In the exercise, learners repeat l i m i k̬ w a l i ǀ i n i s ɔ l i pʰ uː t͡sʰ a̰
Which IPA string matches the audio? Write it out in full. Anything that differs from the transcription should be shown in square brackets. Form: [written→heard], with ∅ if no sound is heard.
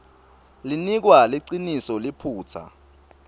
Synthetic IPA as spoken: l i [m→n] i k̬ w a l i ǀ i n i s ɔ l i pʰ uː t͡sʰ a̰